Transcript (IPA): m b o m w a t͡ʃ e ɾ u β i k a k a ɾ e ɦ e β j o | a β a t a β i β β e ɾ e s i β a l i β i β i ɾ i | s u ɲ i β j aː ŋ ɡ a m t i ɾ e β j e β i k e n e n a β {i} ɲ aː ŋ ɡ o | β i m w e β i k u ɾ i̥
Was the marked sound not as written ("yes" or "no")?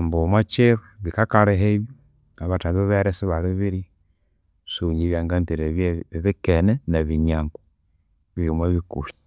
no